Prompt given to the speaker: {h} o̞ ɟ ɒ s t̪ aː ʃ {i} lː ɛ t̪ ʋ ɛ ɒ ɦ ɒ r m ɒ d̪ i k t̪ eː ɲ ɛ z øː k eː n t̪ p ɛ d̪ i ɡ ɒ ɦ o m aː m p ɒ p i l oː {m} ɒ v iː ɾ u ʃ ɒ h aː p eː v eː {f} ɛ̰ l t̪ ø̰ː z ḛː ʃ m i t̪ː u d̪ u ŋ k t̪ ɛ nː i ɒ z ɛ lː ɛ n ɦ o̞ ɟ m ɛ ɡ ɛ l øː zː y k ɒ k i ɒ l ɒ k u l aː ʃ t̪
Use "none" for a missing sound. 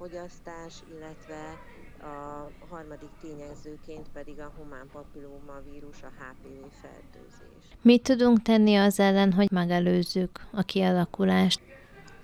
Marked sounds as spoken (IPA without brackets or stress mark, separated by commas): f, i, m, f